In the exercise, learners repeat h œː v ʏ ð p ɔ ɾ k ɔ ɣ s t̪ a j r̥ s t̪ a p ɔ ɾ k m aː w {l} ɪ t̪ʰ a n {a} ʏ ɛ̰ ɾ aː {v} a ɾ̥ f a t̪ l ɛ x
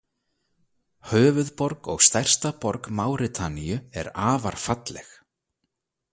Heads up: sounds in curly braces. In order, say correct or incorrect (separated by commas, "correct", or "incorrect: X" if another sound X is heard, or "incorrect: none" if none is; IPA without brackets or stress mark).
incorrect: ɾ, incorrect: i, correct